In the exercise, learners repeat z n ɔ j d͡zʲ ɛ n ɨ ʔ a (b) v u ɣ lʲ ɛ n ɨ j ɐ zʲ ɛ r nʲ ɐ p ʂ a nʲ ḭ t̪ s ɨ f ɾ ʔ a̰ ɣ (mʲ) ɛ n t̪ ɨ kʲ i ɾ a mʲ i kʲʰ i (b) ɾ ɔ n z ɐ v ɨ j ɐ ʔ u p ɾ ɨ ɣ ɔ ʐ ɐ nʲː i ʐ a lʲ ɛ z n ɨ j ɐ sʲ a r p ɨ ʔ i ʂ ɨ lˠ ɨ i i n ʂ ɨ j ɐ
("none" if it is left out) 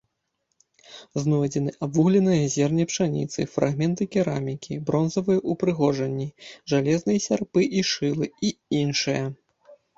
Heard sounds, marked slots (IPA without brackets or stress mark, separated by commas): b, mʲ, b